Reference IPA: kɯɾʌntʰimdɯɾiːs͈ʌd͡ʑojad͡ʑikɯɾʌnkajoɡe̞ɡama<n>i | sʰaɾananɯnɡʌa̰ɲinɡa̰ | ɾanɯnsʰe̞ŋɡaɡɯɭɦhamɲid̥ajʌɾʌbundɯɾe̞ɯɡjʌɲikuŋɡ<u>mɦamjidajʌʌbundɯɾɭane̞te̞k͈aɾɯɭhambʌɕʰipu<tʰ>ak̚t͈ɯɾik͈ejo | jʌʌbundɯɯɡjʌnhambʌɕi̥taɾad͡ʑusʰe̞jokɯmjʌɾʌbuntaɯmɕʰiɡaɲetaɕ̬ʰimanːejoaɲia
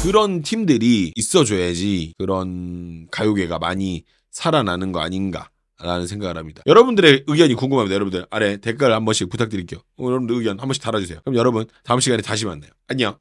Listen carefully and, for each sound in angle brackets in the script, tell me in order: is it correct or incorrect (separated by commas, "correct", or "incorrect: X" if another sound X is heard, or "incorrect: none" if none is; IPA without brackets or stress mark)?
incorrect: ɲ, incorrect: ɯ, correct